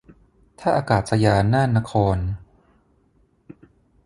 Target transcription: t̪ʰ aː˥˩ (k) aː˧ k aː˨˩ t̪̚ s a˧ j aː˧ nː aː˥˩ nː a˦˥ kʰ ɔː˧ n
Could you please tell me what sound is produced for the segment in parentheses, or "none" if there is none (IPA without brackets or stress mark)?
ʔ